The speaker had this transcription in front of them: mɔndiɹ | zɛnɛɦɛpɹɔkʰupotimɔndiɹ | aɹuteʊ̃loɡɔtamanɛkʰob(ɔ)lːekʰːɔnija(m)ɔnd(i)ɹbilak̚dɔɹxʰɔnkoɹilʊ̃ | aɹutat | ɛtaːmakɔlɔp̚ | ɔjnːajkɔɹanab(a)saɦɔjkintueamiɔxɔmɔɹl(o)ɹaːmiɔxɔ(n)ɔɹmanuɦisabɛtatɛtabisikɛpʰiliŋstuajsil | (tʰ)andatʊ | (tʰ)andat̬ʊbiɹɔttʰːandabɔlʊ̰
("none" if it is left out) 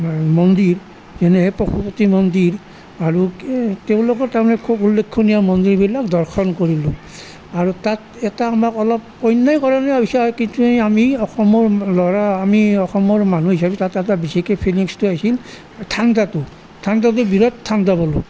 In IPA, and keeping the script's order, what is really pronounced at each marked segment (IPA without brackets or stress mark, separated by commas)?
u, m, i, i, ɔ, m, tʰ, tʰ